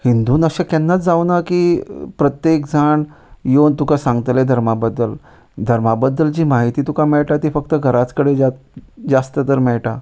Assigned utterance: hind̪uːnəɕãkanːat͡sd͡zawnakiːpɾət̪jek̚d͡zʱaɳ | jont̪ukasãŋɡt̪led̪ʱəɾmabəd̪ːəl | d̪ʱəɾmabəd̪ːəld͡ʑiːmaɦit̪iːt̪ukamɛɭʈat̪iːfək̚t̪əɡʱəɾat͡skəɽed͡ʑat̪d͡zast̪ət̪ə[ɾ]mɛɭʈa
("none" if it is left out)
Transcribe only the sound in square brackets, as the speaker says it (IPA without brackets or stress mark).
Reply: ɾ